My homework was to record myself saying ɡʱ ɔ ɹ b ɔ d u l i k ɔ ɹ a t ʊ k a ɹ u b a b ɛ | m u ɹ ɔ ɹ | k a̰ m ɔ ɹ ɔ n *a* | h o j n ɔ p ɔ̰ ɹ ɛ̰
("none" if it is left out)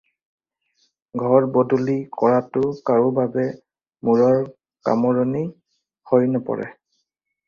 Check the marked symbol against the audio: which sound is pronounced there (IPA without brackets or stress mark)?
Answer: i